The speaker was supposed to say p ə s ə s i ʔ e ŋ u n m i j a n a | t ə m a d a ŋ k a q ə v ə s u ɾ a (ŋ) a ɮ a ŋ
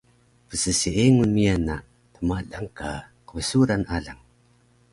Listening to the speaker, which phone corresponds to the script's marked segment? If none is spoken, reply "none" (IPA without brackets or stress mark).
n